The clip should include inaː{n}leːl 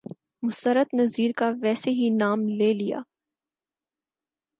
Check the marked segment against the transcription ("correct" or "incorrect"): incorrect